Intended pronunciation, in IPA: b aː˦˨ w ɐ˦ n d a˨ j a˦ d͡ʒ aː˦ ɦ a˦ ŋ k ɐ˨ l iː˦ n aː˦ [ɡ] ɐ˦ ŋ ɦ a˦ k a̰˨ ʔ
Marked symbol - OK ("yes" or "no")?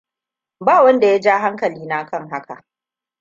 no